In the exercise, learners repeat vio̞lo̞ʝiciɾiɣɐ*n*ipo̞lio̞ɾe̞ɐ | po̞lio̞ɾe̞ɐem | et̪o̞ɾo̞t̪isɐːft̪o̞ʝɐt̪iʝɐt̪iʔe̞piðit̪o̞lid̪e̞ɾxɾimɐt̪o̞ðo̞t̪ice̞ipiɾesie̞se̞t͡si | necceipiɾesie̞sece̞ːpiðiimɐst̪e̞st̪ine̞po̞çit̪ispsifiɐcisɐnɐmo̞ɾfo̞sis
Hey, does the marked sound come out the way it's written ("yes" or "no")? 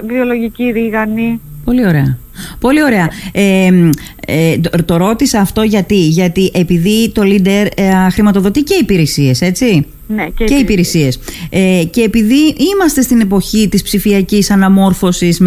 yes